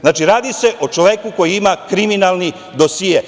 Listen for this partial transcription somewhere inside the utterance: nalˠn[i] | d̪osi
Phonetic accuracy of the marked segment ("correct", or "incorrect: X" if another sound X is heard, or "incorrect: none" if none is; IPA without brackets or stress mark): correct